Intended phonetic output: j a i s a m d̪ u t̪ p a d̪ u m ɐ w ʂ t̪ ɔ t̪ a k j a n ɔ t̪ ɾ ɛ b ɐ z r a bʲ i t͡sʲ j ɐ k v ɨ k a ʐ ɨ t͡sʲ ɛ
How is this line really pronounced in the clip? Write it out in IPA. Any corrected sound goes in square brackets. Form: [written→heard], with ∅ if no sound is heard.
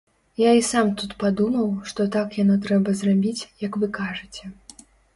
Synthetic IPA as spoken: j a i s a m [d̪→t̪] u t̪ p a d̪ u m ɐ w ʂ t̪ ɔ t̪ a k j a n ɔ t̪ ɾ ɛ b ɐ z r a bʲ i t͡sʲ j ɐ k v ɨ k a ʐ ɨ t͡sʲ ɛ